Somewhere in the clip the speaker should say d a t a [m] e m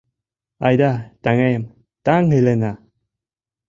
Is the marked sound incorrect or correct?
incorrect